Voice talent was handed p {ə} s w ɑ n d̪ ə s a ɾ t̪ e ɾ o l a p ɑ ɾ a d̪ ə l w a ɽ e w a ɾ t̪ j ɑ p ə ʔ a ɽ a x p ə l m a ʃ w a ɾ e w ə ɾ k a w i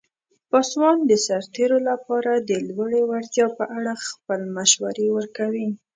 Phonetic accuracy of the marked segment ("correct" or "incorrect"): incorrect